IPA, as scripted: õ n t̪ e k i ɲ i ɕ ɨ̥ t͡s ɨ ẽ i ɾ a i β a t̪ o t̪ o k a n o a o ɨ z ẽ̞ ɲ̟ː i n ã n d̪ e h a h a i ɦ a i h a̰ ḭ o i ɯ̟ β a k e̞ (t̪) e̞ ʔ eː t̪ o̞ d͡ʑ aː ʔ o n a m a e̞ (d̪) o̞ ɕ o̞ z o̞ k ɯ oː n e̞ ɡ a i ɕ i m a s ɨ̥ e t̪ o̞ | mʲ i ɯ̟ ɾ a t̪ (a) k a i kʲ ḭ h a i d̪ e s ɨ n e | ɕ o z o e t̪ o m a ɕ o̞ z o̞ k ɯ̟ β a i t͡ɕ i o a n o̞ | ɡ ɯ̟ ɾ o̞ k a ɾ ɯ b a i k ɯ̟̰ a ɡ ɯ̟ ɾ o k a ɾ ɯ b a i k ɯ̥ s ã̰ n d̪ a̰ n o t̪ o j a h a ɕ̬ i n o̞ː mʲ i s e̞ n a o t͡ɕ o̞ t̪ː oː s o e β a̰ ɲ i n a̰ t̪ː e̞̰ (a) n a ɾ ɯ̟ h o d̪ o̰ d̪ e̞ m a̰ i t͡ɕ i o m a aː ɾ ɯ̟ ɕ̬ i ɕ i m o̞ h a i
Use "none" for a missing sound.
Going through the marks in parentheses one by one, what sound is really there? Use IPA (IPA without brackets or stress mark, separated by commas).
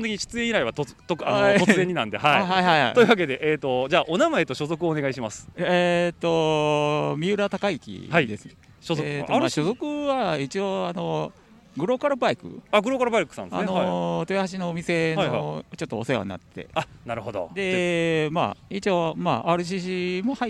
d̪, t̪, a, a